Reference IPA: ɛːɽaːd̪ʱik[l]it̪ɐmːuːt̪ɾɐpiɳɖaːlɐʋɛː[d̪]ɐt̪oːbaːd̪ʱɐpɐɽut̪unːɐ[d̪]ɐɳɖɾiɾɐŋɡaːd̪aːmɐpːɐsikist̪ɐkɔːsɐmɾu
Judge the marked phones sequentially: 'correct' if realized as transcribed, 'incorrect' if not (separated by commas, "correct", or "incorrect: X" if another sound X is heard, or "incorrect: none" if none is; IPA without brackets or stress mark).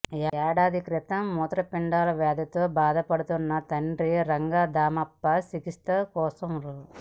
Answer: incorrect: ɾ, correct, incorrect: t̪